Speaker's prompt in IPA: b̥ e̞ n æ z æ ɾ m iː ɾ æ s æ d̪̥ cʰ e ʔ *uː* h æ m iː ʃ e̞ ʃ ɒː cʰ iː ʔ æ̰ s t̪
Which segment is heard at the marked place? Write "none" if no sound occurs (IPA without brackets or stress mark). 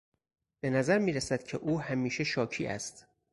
uː